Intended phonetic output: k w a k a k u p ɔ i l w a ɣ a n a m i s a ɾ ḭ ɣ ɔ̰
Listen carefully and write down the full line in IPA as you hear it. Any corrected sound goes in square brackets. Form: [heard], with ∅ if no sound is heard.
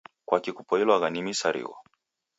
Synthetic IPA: k w a k [i] k u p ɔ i l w a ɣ a n [i] m i s a ɾ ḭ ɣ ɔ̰